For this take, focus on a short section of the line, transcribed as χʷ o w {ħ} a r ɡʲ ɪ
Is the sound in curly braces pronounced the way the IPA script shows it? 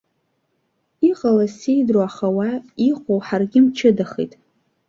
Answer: yes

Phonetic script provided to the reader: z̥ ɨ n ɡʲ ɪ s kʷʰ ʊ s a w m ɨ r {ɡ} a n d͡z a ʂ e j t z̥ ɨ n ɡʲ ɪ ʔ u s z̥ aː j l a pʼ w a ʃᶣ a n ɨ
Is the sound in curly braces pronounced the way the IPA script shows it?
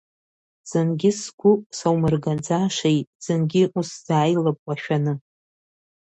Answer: yes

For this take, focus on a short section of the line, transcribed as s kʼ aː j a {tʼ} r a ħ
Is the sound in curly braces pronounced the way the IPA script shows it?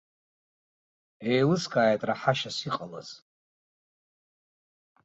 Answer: yes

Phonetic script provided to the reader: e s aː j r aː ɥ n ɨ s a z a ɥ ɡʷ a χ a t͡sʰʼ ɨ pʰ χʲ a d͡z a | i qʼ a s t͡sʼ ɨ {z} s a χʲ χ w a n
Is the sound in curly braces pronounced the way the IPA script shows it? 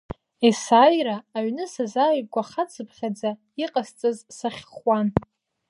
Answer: yes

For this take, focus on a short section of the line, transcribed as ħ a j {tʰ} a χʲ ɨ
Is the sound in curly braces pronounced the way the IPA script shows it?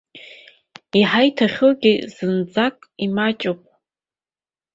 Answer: yes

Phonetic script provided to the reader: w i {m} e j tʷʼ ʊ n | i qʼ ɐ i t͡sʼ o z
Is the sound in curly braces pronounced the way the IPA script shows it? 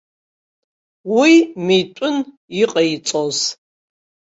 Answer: yes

